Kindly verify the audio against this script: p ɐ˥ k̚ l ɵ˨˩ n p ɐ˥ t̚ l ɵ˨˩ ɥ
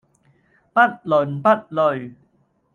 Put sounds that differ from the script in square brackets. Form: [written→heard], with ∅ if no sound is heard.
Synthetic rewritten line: p ɐ˥ [k̚→t̚] l ɵ˨˩ n p ɐ˥ t̚ l ɵ˨˩ ɥ